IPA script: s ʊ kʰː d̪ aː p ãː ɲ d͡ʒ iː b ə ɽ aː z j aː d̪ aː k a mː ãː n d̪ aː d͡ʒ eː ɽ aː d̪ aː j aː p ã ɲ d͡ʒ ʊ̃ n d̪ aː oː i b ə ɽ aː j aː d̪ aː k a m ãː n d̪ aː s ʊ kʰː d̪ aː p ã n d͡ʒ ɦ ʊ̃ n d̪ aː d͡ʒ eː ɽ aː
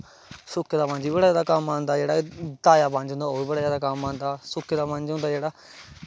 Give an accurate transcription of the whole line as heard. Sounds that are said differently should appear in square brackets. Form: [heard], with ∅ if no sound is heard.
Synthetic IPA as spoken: s ʊ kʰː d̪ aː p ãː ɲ d͡ʒ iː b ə ɽ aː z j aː d̪ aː k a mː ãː n d̪ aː d͡ʒ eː ɽ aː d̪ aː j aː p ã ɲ d͡ʒ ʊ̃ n d̪ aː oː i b ə ɽ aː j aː d̪ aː k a m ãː n d̪ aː s ʊ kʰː d̪ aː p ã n d͡ʒ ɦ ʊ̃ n d̪ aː d͡ʒ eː ɽ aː